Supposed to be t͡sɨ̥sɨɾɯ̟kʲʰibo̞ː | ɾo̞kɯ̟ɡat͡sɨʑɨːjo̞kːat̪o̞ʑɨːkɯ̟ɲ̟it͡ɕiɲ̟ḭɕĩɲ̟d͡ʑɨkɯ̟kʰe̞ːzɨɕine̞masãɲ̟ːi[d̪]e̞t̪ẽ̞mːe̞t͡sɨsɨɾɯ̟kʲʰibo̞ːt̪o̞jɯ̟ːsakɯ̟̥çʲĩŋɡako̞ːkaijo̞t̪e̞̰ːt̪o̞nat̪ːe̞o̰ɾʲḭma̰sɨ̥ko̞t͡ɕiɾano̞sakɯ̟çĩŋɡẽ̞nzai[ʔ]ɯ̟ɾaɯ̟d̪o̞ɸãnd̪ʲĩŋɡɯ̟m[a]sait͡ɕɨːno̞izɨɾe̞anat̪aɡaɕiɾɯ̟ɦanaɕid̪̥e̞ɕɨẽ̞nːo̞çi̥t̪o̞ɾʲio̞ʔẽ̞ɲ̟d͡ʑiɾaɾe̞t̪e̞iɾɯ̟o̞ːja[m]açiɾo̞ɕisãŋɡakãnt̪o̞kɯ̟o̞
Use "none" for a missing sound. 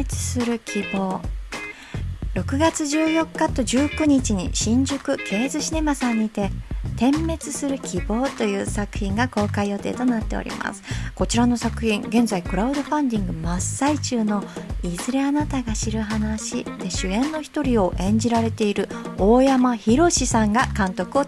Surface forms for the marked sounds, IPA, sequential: t̪, k, a, m

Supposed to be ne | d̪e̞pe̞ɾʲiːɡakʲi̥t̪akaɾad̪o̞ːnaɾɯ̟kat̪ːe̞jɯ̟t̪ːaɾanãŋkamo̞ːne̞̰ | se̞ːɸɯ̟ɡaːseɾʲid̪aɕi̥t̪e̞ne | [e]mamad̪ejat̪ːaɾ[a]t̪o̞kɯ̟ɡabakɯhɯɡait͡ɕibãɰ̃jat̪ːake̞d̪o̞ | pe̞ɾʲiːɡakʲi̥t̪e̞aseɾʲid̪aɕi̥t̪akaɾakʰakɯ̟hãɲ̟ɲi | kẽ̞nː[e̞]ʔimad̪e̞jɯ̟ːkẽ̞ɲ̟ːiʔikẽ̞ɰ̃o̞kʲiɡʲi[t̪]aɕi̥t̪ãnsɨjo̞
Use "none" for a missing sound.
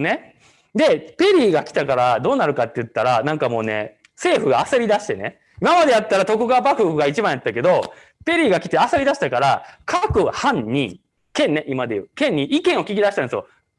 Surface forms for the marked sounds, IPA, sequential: i, a, e̞, d̪

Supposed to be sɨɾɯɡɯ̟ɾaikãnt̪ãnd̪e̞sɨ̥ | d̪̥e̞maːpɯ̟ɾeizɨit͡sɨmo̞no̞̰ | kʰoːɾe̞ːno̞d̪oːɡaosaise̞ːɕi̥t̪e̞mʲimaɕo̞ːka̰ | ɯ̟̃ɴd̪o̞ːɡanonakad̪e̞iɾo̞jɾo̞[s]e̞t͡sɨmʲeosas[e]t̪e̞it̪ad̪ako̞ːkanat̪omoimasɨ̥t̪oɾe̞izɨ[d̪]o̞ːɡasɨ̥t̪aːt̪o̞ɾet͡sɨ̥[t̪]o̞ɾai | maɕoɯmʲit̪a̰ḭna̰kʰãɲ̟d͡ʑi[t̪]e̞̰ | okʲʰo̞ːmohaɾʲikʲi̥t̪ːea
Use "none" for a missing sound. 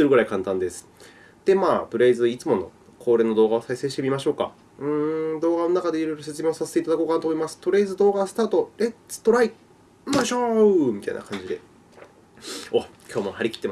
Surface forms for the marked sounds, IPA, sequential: s, e, d̪, t̪, d̪

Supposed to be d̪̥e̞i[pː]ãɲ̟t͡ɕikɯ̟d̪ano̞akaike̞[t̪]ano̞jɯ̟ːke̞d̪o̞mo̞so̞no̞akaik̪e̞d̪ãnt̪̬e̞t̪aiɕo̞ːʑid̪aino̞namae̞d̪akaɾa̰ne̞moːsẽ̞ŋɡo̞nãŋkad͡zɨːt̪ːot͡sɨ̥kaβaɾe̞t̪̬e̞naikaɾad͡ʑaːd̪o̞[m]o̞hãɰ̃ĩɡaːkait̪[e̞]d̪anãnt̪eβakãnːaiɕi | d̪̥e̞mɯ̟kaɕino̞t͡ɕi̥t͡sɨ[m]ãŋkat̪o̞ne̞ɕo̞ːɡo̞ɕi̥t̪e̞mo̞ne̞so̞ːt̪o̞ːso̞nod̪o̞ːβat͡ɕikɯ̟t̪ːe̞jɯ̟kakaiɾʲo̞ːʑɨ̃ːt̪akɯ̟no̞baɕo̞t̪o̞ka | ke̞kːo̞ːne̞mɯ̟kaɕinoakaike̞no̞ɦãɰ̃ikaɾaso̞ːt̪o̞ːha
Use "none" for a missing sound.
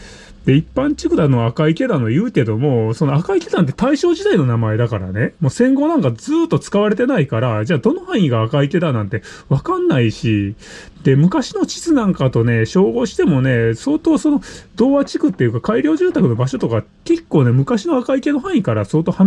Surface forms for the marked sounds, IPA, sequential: pː, d̪, n, e̞, n

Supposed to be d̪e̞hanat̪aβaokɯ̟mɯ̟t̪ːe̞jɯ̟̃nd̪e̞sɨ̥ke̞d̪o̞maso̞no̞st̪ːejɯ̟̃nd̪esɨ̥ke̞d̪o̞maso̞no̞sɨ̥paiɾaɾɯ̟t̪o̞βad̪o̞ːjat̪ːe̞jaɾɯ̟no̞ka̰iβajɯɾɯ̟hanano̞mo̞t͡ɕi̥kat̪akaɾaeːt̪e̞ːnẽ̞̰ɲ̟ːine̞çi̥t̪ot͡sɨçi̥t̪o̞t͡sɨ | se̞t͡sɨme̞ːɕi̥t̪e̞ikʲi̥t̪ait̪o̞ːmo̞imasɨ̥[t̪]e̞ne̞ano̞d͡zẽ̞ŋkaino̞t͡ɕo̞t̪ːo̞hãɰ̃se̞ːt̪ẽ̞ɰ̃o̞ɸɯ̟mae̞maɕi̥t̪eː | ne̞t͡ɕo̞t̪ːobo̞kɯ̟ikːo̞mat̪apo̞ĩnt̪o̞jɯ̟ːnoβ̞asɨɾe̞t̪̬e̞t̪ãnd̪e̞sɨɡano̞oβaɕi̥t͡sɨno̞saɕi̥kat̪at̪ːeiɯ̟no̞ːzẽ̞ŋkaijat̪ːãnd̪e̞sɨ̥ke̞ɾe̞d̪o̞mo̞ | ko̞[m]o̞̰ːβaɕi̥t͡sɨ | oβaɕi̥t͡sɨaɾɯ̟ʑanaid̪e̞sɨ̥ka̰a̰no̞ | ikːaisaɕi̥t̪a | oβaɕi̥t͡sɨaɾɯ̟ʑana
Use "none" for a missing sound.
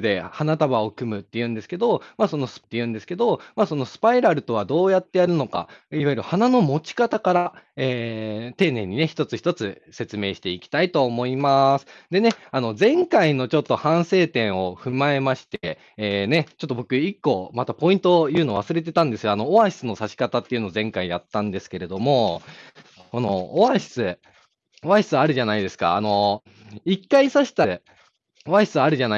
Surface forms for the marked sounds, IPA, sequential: d̪, n

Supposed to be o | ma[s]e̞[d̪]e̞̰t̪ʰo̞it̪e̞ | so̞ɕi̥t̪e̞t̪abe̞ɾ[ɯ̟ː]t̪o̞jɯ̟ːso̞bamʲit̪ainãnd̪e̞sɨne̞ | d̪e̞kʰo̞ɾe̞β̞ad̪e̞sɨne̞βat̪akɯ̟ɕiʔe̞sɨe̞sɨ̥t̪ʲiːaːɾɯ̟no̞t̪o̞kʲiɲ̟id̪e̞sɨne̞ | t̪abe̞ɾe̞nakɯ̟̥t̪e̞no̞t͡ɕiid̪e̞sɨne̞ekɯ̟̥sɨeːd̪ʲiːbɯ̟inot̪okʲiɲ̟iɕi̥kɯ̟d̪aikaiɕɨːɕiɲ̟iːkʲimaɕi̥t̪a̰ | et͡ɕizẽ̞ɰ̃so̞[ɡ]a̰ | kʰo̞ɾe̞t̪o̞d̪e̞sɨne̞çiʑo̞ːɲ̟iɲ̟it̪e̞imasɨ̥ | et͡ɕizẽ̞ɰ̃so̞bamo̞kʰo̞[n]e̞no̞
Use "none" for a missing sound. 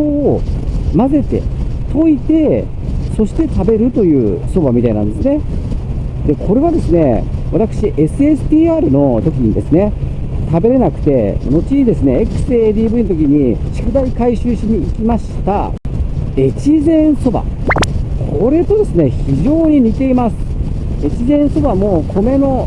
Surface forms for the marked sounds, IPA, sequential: z, t̪, ɯ̟, b, m

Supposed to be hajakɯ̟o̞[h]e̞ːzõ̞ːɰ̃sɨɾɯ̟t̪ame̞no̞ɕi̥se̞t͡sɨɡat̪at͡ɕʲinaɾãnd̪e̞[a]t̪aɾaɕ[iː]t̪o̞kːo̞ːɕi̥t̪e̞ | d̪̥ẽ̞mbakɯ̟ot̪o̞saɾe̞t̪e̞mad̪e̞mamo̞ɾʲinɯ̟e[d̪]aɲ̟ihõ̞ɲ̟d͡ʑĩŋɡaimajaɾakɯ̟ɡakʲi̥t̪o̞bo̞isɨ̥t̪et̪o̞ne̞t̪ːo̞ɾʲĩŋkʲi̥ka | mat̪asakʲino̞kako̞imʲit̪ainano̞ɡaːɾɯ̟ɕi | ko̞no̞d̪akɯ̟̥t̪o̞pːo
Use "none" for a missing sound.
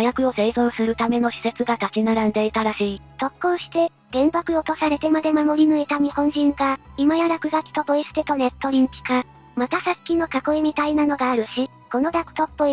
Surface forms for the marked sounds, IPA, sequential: s, i, iː, t̪

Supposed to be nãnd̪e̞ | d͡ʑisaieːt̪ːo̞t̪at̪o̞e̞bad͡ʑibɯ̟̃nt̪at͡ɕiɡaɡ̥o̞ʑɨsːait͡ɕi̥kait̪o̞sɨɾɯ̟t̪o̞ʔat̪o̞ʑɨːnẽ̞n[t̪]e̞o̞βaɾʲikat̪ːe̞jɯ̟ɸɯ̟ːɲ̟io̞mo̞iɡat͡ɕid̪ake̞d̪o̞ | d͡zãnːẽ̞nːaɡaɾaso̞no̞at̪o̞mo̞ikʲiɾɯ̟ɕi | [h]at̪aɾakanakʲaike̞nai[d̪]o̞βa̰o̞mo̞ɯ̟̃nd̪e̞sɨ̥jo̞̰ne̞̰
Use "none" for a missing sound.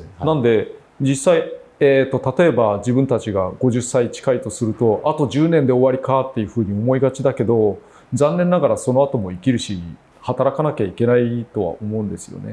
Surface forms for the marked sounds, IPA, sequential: d̪, h, t̪

